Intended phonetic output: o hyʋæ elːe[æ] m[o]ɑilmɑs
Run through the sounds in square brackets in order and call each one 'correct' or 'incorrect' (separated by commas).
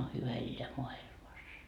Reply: correct, correct